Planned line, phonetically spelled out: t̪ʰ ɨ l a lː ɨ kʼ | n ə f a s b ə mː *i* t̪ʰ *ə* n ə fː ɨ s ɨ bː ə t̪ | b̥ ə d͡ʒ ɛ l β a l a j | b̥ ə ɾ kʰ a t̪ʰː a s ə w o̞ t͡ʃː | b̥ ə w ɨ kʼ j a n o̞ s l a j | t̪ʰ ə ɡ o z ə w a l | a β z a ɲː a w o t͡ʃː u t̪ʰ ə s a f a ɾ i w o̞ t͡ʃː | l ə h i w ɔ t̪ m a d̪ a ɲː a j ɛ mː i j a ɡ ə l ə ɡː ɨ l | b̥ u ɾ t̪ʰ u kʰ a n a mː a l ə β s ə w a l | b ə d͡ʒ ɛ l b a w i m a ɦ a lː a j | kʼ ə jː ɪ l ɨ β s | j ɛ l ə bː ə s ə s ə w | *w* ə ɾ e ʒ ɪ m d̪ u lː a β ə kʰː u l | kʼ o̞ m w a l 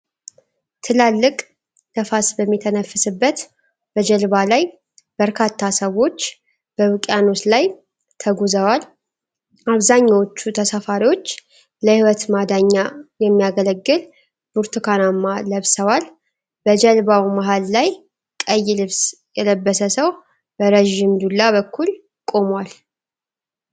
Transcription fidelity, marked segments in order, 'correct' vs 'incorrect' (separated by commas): correct, correct, incorrect